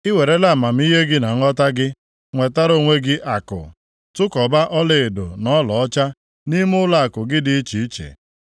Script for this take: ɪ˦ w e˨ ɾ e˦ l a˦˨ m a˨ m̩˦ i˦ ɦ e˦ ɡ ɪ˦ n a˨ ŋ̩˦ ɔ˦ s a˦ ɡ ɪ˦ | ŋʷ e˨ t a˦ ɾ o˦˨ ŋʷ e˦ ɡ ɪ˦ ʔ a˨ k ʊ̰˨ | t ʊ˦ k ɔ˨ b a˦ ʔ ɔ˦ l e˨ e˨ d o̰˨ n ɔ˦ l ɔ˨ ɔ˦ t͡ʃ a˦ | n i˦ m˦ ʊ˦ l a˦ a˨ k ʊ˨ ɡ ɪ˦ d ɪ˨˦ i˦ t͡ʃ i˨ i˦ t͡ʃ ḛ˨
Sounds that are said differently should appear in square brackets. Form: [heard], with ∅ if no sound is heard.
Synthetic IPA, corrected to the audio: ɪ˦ w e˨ ɾ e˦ l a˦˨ m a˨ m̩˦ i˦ ɦ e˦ ɡ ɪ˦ n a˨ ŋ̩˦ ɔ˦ [t] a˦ ɡ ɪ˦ | ŋʷ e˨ t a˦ ɾ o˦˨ ŋʷ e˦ ɡ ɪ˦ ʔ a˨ k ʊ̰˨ | t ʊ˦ k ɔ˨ b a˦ ʔ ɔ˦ l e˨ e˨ d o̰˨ n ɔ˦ l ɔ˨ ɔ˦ t͡ʃ a˦ | n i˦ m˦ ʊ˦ l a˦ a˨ k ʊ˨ ɡ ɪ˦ d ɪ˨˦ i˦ t͡ʃ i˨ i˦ t͡ʃ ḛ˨